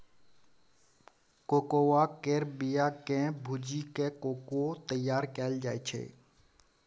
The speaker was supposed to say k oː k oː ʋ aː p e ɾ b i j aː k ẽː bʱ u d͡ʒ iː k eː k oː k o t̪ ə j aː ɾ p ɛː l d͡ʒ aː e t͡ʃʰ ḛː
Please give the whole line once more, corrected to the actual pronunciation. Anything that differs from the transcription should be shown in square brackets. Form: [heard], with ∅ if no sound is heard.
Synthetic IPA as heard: k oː k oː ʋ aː [k] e ɾ b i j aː k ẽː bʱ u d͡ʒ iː k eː k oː k o t̪ ə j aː ɾ [k] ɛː l d͡ʒ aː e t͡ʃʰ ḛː